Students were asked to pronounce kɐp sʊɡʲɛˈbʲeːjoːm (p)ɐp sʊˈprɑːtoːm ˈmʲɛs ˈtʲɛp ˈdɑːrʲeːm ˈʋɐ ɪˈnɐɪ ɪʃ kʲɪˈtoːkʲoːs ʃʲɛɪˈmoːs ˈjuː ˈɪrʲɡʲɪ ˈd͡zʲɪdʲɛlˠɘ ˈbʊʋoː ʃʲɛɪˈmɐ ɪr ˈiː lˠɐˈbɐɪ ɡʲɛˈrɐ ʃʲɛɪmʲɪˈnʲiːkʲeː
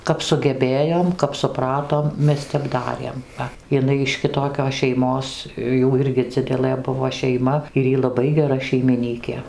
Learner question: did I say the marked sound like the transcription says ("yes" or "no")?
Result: no